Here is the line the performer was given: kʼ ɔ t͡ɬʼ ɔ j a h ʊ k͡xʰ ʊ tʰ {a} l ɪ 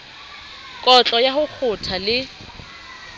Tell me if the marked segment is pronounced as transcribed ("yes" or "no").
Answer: yes